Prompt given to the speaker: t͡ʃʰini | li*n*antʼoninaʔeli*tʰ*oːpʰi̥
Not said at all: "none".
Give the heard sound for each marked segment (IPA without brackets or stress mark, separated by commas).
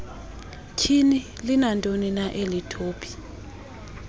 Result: n, tʰ